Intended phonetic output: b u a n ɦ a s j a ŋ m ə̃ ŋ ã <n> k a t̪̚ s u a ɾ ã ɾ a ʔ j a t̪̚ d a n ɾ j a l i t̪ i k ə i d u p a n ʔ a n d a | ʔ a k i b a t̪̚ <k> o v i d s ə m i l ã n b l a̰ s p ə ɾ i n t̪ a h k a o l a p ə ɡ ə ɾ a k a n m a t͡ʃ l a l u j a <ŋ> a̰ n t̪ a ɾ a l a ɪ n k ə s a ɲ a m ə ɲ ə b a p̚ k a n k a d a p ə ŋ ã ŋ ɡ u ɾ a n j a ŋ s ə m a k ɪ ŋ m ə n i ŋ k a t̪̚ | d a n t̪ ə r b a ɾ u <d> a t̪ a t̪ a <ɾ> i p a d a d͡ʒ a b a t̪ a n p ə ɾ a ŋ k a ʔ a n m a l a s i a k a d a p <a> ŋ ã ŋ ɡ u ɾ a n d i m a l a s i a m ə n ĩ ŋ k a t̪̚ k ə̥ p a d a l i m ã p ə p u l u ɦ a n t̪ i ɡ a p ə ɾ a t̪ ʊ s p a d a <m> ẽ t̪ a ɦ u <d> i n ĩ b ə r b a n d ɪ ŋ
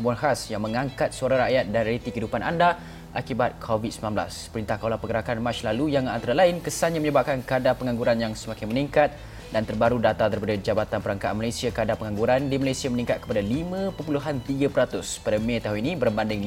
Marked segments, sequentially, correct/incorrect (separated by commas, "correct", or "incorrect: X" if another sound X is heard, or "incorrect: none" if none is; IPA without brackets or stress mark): incorrect: ŋ, incorrect: kʰ, correct, correct, correct, incorrect: ə, correct, incorrect: n